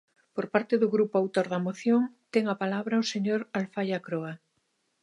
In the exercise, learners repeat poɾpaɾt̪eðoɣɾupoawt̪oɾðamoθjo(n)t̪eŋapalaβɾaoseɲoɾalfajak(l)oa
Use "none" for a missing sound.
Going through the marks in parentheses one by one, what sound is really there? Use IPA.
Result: ŋ, ɾ

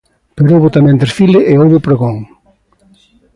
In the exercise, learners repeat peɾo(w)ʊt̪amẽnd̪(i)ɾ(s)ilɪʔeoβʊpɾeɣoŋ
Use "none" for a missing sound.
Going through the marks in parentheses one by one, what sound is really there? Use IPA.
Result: β, e, f

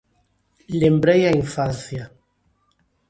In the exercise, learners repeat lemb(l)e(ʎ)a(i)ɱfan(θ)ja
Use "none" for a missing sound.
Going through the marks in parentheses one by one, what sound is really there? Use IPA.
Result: ɾ, j, i, θ

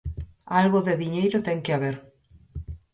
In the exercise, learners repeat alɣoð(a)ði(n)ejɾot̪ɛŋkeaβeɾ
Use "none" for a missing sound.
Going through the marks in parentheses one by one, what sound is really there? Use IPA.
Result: e, ɲ

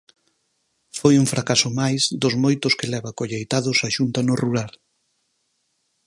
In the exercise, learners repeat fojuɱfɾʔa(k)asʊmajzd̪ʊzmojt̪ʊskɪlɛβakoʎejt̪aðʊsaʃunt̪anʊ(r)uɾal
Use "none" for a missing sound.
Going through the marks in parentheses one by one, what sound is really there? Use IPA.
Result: k, r

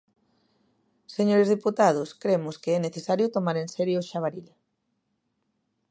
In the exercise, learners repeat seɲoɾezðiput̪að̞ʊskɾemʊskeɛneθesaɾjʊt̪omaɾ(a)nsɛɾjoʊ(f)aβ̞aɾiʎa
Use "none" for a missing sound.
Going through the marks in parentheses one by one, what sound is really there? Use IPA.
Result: e, ʃ

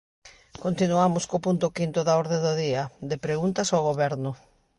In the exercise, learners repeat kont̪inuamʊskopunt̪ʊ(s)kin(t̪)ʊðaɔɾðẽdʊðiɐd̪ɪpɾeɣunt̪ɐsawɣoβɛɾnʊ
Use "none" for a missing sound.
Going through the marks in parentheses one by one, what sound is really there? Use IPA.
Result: none, t̪

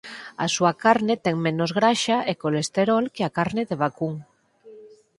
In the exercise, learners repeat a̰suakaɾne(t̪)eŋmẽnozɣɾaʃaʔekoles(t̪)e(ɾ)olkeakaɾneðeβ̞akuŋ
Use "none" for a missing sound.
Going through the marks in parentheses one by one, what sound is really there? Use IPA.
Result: t̪, t̪, ɾ

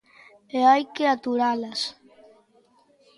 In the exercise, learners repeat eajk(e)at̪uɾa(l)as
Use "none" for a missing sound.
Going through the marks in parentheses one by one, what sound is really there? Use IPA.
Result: e, l

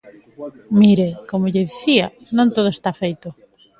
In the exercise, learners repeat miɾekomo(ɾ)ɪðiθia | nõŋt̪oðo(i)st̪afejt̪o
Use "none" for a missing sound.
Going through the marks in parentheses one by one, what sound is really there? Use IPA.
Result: ʎ, e

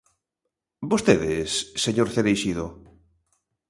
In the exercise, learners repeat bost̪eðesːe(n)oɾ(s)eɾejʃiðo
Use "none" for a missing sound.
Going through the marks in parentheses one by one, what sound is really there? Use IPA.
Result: ɲ, θ

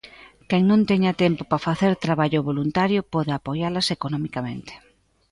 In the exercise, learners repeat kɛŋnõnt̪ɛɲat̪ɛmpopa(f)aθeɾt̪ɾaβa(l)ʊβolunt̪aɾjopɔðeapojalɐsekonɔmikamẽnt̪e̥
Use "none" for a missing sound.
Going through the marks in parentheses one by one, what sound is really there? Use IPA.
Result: f, ʎ

